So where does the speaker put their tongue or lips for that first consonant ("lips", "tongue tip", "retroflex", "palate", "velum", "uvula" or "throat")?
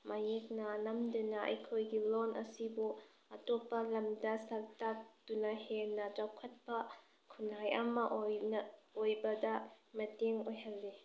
lips